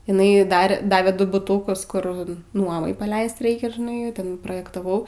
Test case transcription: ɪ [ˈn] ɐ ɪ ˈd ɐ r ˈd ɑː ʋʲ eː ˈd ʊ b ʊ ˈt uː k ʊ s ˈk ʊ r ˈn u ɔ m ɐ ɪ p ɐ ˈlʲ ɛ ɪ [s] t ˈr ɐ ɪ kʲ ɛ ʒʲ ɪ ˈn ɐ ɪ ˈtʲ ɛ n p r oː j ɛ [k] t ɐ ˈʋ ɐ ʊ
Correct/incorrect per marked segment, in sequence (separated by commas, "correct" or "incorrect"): correct, correct, correct